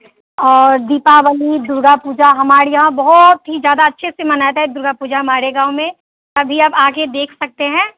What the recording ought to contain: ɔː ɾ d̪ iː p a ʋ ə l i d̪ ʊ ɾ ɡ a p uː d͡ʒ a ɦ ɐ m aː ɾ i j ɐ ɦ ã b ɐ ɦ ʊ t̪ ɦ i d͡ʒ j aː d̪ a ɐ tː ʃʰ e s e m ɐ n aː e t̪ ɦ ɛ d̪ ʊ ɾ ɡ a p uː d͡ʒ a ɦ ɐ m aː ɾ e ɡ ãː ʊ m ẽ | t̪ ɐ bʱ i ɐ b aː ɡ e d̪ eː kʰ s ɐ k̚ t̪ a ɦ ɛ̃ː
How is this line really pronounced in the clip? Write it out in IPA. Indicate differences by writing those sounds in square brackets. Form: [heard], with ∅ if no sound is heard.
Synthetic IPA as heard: ɔː ɾ d̪ iː p a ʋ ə l i d̪ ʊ ɾ ɡ a p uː d͡ʒ a ɦ ɐ m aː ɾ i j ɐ ɦ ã b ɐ ɦ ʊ t̪ ɦ i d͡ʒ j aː d̪ a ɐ tː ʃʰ e s e m ɐ n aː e t̪ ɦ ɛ d̪ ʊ ɾ ɡ a p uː d͡ʒ a ɦ ɐ m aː ɾ e ɡ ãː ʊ m ẽ | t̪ ɐ bʱ i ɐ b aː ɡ e d̪ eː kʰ s ɐ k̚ t̪ [e] ɦ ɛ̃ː